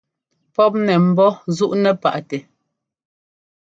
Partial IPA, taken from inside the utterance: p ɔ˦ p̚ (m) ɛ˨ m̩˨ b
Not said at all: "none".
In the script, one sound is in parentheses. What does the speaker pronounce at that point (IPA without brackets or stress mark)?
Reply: n